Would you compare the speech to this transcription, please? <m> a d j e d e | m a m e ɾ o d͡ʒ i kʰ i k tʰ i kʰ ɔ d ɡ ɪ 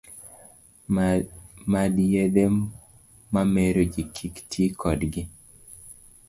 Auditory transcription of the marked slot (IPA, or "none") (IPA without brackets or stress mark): m